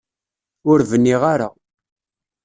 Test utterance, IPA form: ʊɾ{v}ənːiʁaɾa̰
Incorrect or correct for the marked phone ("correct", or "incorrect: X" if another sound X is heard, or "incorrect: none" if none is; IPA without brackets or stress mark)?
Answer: correct